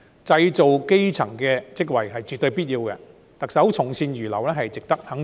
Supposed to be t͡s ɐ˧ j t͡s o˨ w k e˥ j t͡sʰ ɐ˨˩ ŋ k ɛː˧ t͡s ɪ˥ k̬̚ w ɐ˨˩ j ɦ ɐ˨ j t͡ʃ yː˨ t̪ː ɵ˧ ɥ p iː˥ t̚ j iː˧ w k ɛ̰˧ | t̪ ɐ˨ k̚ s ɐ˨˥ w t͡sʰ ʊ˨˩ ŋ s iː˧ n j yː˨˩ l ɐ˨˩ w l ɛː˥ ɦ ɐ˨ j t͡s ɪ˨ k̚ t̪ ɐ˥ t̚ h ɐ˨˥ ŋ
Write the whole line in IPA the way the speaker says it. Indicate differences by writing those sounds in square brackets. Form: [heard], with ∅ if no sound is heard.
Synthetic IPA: t͡s ɐ˧ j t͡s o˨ w k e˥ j t͡sʰ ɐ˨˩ ŋ k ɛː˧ t͡s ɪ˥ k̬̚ w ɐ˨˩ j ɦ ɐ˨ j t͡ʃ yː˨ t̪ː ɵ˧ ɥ p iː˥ t̚ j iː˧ w k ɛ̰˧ | t̪ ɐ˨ k̚ s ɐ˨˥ w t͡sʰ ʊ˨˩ ŋ s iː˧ n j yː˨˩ l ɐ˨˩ w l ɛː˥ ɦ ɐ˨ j t͡s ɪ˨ k̚ t̪ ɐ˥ [k̚] h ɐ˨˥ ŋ